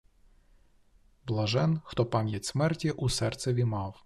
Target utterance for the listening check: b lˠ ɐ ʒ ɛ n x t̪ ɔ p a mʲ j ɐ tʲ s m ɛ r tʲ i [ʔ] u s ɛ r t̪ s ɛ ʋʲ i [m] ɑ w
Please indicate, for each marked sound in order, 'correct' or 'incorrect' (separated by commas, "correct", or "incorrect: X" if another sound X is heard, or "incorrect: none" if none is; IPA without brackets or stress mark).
correct, correct